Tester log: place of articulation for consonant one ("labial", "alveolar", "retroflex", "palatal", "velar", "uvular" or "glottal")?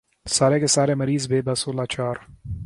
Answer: alveolar